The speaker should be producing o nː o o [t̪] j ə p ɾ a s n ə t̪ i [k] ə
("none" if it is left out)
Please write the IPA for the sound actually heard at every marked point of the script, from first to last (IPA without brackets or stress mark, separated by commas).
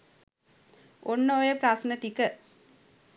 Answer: none, k